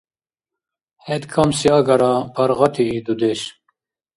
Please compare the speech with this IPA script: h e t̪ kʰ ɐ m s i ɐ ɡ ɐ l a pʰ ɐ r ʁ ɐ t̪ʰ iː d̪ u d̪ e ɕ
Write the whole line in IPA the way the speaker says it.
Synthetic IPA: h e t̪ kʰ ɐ m s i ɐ ɡ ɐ ɾ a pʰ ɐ ɾ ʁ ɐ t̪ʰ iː d̪ u d̪ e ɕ